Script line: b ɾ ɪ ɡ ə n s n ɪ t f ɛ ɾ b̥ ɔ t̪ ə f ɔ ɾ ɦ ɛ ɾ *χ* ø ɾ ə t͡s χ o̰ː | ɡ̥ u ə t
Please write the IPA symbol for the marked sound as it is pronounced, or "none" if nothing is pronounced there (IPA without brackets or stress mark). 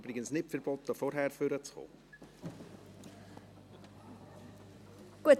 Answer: f